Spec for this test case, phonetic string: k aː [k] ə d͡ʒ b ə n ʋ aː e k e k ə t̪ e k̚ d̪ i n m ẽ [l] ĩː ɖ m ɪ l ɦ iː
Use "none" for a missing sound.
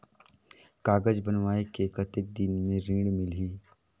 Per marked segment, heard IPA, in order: ɡ, ɾ

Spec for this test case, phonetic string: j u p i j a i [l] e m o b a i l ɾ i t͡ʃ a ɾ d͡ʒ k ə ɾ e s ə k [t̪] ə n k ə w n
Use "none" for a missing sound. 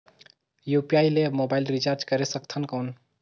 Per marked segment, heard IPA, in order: l, t̪ʰ

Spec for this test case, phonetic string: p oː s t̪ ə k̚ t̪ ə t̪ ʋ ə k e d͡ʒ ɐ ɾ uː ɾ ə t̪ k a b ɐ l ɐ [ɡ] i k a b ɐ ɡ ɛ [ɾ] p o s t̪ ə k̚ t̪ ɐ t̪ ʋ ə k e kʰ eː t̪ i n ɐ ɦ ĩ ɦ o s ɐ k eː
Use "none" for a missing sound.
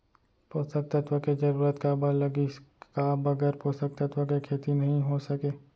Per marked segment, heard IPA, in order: ɡ, ɾ

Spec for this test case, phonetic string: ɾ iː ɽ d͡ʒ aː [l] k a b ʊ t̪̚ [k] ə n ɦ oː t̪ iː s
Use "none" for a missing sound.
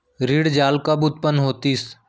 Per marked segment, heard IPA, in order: l, p

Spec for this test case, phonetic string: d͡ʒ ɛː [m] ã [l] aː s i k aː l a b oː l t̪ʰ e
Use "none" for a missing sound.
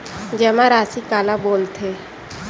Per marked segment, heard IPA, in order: m, ɾ

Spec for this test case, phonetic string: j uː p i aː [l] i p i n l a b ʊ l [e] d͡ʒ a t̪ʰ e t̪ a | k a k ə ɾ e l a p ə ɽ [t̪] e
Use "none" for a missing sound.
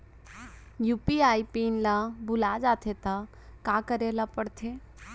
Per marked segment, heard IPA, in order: none, a, t̪ʰ

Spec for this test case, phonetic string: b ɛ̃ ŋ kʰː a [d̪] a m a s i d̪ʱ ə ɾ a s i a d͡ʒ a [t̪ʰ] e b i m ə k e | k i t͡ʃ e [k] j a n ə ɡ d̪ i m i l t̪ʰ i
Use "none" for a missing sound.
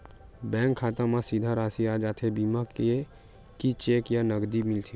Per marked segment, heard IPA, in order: t̪, t̪ʰ, k

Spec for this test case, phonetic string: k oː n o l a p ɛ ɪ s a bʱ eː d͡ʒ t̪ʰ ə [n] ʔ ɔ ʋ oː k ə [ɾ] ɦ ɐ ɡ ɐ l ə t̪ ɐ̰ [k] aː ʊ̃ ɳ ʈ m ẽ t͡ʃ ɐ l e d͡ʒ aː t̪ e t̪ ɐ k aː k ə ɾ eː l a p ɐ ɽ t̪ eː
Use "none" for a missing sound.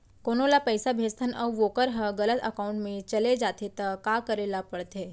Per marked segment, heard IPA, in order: n, ɾ, k

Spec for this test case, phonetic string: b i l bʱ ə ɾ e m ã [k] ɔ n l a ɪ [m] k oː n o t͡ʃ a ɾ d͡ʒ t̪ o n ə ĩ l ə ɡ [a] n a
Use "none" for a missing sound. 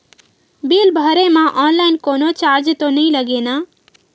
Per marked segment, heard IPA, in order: ʔ, n, e

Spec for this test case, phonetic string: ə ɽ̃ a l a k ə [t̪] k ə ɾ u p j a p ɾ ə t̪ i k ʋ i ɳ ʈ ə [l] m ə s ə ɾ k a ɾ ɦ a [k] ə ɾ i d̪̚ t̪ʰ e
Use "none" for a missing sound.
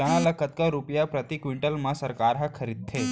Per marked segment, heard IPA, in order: t̪, l, kʰ

